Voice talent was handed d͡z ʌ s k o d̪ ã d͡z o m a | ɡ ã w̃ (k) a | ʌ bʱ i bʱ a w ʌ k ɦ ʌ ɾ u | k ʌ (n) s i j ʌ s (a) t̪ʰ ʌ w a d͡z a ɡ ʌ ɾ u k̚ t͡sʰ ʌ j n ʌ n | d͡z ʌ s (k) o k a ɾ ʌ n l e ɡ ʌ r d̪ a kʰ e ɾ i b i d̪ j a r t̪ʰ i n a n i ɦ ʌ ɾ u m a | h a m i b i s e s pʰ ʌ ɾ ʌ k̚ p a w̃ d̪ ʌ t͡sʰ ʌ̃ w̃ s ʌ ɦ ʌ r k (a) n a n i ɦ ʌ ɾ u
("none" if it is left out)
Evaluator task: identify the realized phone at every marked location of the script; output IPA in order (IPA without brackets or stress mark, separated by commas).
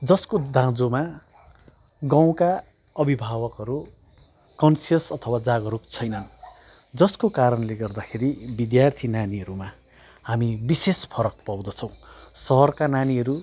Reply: k, n, ʌ, k, a